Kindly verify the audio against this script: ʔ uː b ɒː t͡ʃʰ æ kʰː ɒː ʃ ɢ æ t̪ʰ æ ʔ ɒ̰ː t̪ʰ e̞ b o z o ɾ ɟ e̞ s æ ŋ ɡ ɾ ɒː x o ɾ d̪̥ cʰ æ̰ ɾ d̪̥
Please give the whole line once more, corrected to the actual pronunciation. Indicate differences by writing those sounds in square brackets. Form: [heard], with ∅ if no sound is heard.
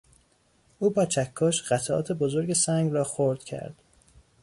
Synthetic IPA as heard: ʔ uː b ɒː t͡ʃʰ æ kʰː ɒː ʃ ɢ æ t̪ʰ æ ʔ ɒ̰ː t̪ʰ e̞ b o z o ɾ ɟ e̞ s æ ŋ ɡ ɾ ɒː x o ɾ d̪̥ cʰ æ̰ ɾ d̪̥